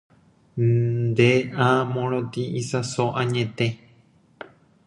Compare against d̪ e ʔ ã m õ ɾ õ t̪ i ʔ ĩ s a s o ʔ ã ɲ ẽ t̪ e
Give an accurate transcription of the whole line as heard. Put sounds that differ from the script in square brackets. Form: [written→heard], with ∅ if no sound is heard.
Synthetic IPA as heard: d̪ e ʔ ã m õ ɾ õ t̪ i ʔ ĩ s a s o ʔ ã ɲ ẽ t̪ e